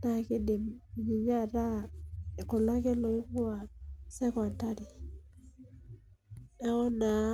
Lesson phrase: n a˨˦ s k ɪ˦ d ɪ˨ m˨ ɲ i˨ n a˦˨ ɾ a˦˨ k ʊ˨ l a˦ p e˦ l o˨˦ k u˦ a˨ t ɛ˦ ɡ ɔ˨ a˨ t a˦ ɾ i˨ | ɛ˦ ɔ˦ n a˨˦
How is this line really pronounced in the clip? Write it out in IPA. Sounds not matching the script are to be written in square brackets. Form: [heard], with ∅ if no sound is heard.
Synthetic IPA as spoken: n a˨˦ [∅] k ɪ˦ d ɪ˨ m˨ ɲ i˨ [ɲ] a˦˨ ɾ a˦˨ k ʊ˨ l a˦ [k] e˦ l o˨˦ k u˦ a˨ [s] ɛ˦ [k] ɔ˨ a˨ t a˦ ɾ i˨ | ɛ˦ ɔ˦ n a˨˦